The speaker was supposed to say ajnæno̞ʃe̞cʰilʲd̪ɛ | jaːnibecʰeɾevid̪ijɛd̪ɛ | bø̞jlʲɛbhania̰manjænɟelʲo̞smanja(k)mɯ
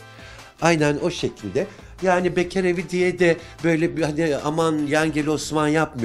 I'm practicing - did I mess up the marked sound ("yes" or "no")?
yes